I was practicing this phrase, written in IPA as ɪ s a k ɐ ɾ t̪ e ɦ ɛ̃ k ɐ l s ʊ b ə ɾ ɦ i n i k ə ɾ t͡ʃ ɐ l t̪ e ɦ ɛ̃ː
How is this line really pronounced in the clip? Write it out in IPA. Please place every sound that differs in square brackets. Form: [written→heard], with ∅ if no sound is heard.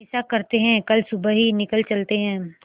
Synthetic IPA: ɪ s a k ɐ ɾ t̪ e ɦ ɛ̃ k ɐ l s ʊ b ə [ɾ→∅] ɦ i n [i→ɪ] k ə [ɾ→l] t͡ʃ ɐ l t̪ e ɦ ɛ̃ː